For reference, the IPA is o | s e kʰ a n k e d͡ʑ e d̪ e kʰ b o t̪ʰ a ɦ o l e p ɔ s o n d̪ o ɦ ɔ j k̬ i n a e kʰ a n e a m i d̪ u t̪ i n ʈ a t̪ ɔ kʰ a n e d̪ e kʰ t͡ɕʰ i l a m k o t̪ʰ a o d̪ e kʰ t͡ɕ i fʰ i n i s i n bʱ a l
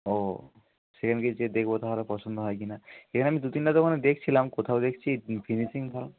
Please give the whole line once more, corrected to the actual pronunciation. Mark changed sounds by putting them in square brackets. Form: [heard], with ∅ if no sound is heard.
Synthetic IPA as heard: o | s e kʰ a n k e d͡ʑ e d̪ e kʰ b o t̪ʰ a ɦ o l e p ɔ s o n d̪ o ɦ ɔ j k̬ i n a e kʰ a n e a m i d̪ u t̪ i n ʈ a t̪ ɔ kʰ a n e d̪ e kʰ t͡ɕʰ i l a m k o t̪ʰ a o d̪ e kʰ [t͡ɕʰ] i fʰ i n i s i [ŋ] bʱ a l